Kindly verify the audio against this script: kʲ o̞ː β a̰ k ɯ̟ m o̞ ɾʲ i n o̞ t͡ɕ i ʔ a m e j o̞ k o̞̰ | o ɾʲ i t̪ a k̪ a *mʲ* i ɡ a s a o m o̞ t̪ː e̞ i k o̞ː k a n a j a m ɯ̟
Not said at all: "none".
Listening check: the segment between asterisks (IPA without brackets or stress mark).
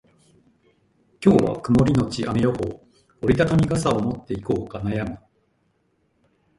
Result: mʲ